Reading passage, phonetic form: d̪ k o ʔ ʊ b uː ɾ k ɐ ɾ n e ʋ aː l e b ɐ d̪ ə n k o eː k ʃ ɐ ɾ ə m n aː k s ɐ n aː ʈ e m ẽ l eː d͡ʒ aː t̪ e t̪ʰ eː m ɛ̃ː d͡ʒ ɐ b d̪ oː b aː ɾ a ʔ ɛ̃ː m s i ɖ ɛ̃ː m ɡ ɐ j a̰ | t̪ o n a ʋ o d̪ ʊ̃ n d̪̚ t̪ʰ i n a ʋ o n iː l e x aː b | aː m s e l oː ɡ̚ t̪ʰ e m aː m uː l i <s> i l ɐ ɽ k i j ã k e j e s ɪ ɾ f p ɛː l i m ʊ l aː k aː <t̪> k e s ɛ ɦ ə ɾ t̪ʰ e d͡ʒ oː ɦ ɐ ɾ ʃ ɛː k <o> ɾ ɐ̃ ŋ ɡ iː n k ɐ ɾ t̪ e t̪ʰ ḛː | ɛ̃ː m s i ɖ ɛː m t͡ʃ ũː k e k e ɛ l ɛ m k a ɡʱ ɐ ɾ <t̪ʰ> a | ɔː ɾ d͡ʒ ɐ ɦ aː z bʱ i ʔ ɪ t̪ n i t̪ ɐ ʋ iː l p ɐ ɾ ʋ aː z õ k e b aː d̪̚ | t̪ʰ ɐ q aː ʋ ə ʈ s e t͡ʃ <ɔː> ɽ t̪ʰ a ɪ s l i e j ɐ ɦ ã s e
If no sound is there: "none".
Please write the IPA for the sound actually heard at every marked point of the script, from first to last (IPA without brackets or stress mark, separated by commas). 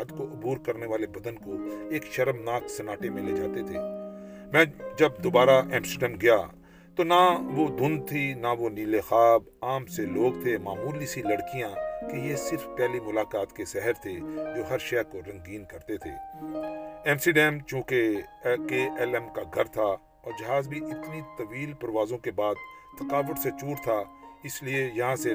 s, t̪, o, t̪ʰ, uː